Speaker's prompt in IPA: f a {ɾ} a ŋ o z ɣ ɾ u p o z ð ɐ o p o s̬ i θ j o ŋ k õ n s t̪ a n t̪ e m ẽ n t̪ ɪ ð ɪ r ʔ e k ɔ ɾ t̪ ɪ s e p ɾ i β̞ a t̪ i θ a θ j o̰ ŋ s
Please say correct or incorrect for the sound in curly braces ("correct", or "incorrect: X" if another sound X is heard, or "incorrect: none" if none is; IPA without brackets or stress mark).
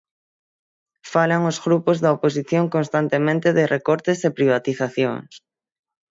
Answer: incorrect: l